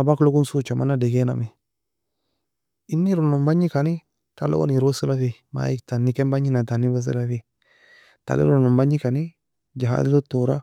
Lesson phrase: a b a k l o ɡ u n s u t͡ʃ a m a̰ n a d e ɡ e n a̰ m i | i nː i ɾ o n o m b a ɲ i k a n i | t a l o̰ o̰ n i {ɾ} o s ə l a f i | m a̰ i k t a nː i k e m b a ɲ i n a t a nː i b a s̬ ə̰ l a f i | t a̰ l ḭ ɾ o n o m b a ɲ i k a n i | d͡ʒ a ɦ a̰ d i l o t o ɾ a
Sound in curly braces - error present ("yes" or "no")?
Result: no